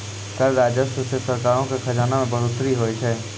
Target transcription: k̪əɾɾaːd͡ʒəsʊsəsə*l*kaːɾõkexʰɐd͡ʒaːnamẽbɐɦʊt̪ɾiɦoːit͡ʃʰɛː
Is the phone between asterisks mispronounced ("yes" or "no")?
yes